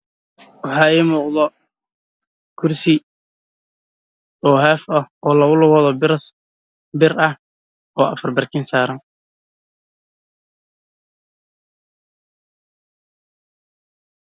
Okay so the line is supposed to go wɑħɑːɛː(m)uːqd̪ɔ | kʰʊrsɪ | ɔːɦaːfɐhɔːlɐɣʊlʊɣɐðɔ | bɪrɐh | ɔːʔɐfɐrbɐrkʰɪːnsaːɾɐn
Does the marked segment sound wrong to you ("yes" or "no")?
no